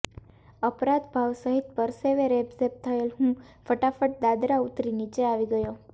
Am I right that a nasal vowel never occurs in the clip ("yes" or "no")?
no